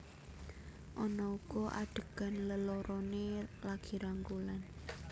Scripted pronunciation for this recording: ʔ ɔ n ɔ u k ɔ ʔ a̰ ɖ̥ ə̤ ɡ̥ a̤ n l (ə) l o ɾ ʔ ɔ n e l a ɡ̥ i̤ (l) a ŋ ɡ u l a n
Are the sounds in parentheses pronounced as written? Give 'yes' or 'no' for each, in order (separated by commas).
yes, no